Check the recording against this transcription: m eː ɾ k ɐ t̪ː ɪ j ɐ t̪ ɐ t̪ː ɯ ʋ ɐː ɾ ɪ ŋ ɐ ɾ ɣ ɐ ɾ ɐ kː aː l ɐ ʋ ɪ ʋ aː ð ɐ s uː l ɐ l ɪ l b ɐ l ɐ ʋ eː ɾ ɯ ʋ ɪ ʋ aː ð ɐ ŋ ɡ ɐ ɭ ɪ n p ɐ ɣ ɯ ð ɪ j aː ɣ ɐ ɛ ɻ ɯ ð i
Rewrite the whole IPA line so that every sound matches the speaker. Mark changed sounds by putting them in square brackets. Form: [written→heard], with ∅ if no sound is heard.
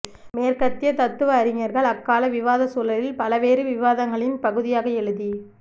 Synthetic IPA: m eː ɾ k ɐ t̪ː ɪ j ɐ t̪ ɐ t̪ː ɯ ʋ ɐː ɾ ɪ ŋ ɐ ɾ ɣ ɐ [ɾ→ɭ] ɐ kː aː l ɐ ʋ ɪ ʋ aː ð ɐ s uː l ɐ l ɪ l [b→p] ɐ l ɐ ʋ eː ɾ ɯ ʋ ɪ ʋ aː ð ɐ ŋ ɡ ɐ ɭ ɪ n p ɐ ɣ ɯ ð ɪ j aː ɣ ɐ ɛ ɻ ɯ ð i

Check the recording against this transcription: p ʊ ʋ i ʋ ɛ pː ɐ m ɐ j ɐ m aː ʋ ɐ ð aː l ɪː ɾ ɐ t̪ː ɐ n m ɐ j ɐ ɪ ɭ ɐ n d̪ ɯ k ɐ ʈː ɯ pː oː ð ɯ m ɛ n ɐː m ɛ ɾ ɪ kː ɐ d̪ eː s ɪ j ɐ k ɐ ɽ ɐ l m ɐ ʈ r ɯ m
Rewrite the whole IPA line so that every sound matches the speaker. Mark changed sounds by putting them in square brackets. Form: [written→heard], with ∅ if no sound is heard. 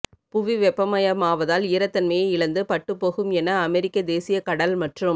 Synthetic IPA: p ʊ ʋ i ʋ ɛ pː ɐ m ɐ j ɐ m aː ʋ ɐ ð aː l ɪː ɾ ɐ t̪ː ɐ n m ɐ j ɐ ɪ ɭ ɐ n d̪ ɯ [k→p] ɐ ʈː ɯ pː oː [ð→ɣ] ɯ m ɛ n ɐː m ɛ ɾ ɪ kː ɐ d̪ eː s ɪ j ɐ k ɐ ɽ ɐ l m ɐ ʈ r ɯ m

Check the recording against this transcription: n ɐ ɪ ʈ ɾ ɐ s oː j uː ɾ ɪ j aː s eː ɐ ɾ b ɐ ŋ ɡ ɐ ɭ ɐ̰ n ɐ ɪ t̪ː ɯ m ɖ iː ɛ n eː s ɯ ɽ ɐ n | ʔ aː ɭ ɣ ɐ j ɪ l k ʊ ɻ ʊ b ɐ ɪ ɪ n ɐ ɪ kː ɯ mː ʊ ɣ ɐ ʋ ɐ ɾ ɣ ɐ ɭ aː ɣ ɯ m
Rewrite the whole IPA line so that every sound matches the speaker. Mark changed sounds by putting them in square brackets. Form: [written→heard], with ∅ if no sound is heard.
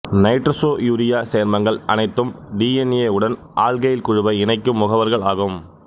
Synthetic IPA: n ɐ ɪ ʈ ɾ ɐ s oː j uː ɾ ɪ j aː s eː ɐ ɾ [b→m] ɐ ŋ ɡ ɐ ɭ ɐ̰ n ɐ ɪ t̪ː ɯ m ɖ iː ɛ n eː [s→∅] ɯ ɽ ɐ n | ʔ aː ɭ ɣ ɐ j ɪ l k ʊ ɻ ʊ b ɐ ɪ ɪ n ɐ ɪ kː ɯ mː ʊ ɣ ɐ ʋ ɐ ɾ ɣ ɐ ɭ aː ɣ ɯ m

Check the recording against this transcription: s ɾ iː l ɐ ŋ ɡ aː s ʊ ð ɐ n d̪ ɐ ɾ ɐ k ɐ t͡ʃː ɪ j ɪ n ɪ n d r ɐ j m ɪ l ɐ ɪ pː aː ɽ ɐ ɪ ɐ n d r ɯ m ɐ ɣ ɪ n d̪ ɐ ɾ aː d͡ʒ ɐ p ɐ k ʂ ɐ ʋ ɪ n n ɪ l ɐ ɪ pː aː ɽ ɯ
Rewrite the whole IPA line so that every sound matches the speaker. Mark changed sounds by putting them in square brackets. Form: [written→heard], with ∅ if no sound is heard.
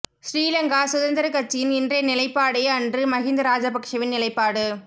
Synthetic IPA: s ɾ iː l ɐ ŋ ɡ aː s ʊ ð ɐ n d̪ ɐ ɾ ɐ k ɐ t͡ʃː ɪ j ɪ n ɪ n d r ɐ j [m→n] ɪ l ɐ ɪ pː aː ɽ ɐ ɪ ɐ n d r ɯ m ɐ ɣ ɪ n d̪ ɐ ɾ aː d͡ʒ ɐ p ɐ k ʂ ɐ ʋ ɪ n n ɪ l ɐ ɪ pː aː ɽ ɯ

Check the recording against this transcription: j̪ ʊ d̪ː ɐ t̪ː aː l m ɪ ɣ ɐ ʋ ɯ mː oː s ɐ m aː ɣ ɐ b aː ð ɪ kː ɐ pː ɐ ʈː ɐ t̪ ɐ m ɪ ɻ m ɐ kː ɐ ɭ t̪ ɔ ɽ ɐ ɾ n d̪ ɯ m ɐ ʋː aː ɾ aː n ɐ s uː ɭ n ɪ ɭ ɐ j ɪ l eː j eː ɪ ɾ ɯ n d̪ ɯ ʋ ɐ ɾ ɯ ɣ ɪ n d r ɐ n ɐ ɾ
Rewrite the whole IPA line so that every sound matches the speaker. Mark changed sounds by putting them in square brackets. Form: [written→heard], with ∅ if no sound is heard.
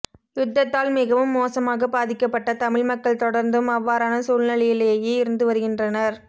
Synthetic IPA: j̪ ʊ d̪ː ɐ t̪ː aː l m ɪ ɣ ɐ ʋ ɯ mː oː s ɐ m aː ɣ ɐ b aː ð ɪ kː ɐ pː ɐ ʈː ɐ t̪ ɐ m ɪ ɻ m ɐ kː ɐ ɭ t̪ ɔ ɽ ɐ ɾ n d̪ ɯ m ɐ ʋː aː ɾ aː n ɐ s uː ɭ n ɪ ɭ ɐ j ɪ l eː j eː ɪ ɾ ɯ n d̪ ɯ ʋ ɐ ɾ ɯ ɣ ɪ n d r ɐ n ɐ ɾ

